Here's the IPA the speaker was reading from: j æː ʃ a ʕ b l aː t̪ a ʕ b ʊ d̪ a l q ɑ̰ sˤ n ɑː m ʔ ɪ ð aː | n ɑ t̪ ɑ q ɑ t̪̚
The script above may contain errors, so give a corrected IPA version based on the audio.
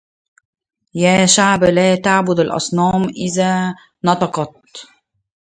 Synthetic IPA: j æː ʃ a ʕ b l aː t̪ a ʕ b ʊ d̪ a l ʔ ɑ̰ sˤ n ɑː m ʔ ɪ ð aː | n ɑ t̪ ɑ q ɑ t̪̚

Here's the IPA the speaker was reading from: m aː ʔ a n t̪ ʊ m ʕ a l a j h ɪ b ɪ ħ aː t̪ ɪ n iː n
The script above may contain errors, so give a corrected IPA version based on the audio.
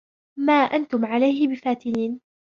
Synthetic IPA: m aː ʔ a n t̪ ʊ m ʕ a l a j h ɪ b ɪ f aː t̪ ɪ n iː n

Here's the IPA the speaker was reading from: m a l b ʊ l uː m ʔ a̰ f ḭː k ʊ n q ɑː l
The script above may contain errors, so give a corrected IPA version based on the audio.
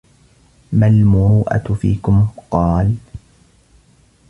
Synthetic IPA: m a l m ʊ ɾ uː ʔ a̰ f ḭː k ʊ m q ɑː l

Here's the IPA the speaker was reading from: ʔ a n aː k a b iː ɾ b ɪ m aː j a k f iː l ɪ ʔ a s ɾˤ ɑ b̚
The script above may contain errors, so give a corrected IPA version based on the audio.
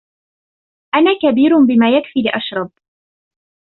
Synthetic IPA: ʔ a n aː k a b iː ɾ b ɪ m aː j a k f iː l ɪ ʔ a ʃ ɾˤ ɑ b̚

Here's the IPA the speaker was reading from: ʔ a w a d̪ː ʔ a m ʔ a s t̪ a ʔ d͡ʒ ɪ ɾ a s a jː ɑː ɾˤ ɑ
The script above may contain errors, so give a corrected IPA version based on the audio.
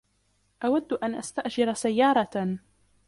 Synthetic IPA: ʔ a w a d̪ː ʔ a n ʔ a s t̪ a ʔ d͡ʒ ɪ ɾ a s a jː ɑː ɾˤ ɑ

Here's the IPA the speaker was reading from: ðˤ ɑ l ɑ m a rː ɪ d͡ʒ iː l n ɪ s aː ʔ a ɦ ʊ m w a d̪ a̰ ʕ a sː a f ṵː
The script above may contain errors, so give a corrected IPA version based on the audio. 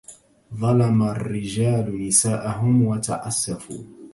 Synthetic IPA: ðˤ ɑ l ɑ m a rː ɪ d͡ʒ aː l n ɪ s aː ʔ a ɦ ʊ m w a t̪ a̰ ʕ a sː a f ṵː

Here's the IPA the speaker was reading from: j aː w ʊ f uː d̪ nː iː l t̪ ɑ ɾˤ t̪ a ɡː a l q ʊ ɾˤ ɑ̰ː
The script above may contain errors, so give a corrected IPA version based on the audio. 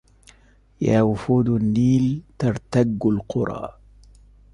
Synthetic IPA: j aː w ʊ f uː d̪ nː iː l t̪ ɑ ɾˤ t̪ a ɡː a l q ʊ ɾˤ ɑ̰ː

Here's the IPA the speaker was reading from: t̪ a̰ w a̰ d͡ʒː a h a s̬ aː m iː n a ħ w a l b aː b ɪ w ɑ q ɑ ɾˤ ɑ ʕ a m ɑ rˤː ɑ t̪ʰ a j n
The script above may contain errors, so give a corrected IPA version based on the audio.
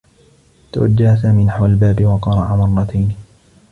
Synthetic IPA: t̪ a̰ w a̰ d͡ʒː a h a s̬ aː m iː n a ħ w a l b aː b ɪ w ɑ q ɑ ɾˤ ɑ ʕ a m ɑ rˤː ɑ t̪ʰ a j n

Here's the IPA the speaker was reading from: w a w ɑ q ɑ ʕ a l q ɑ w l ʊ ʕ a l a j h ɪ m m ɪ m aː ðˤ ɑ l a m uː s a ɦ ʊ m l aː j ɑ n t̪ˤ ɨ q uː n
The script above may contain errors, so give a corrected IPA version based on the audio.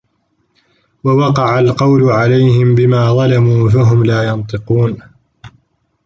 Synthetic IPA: w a w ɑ q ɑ ʕ a l q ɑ w l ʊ ʕ a l a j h ɪ m b ɪ m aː ðˤ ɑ l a m uː f a ɦ ʊ m l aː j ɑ n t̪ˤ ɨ q uː n

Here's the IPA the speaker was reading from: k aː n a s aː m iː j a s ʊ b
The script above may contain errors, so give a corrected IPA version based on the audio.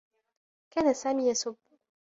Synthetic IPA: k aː n a s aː m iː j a s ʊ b

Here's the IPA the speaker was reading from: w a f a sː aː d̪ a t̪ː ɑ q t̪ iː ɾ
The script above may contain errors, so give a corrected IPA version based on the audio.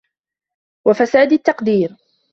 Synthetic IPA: w a f a s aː d̪ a t̪ː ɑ q d̪ iː ɾ

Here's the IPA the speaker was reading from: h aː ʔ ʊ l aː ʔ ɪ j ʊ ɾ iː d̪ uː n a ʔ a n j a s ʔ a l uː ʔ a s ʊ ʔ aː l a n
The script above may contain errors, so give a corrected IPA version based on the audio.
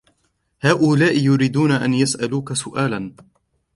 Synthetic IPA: h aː ʔ ʊ l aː ʔ ɪ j ʊ ɾ iː d̪ uː n a ʔ a n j a s ʔ a l uː k a s ʊ ʔ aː l a n

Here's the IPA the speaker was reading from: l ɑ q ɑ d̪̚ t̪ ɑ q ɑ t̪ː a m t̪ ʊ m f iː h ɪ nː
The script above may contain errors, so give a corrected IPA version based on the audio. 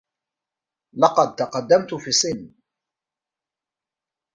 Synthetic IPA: l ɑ q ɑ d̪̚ t̪ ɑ q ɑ d̪ː a m t̪ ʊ f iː s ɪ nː

